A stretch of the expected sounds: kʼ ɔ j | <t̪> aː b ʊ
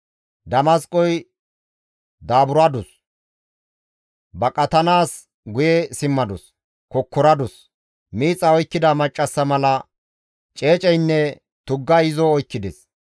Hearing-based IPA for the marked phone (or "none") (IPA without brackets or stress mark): d̪